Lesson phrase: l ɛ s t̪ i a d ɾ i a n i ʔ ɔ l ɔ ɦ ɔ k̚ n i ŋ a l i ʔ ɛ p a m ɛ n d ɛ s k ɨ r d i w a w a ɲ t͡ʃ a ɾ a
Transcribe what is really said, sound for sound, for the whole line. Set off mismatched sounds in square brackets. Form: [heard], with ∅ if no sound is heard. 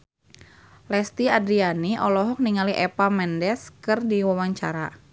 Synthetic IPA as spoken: l ɛ s t̪ i a d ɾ i a n i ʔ ɔ l ɔ ɦ ɔ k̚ n i ŋ a l i ʔ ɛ p a m ɛ n d ɛ s k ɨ r d i w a w a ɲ t͡ʃ a ɾ a